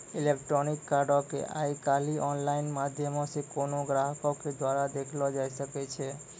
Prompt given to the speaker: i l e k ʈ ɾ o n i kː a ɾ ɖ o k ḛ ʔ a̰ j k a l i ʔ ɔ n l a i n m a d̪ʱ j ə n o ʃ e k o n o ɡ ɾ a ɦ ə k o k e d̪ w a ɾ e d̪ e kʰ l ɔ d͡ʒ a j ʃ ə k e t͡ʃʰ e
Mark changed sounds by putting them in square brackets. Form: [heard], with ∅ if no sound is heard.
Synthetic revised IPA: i l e k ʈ ɾ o n i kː a ɾ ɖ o k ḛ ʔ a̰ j k a l i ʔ ɔ n l a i n m a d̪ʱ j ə [m] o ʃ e k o n o ɡ ɾ a ɦ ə k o k e d̪ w a ɾ [a] d̪ e kʰ l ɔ d͡ʒ a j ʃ ə k e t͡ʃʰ e

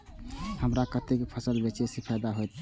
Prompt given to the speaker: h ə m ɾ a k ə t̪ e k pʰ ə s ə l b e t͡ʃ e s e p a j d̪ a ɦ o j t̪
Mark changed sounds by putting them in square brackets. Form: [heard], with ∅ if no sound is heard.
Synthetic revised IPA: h ə m ɾ a k ə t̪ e k pʰ ə s ə l b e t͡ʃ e s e [pʰ] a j d̪ a ɦ o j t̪

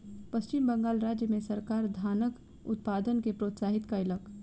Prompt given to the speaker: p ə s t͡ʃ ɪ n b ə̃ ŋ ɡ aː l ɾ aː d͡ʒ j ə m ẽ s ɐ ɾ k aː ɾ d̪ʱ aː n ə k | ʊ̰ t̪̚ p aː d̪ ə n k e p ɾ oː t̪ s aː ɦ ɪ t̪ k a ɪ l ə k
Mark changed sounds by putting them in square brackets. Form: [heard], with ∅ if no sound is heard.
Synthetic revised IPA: p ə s t͡ʃ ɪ [m] b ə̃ ŋ ɡ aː l ɾ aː d͡ʒ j ə m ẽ s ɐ ɾ k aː ɾ d̪ʱ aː n ə k | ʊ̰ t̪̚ p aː d̪ ə n k e p ɾ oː t̪ s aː ɦ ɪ t̪ k a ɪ l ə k

